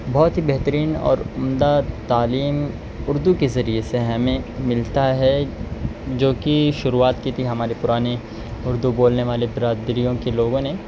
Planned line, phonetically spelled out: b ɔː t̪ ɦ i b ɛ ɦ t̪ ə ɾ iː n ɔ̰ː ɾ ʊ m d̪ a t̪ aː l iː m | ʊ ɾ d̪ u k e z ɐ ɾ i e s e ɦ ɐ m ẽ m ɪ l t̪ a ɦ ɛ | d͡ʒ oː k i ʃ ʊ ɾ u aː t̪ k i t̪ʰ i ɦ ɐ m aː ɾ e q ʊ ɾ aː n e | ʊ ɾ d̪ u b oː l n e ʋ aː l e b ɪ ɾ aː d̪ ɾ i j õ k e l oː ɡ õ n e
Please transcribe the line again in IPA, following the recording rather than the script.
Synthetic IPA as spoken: b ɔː t̪ ɦ i b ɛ ɦ t̪ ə ɾ iː n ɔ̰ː ɾ ʊ m d̪ a t̪ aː l iː m | ʊ ɾ d̪ u k e z ɐ ɾ i e s e ɦ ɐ m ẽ m ɪ l t̪ a ɦ ɛ | d͡ʒ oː k i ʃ ʊ ɾ u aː t̪ k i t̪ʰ i ɦ ɐ m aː ɾ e p ʊ ɾ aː n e | ʊ ɾ d̪ u b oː l n e ʋ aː l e b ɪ ɾ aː d̪ ɾ i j õ k e l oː ɡ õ n e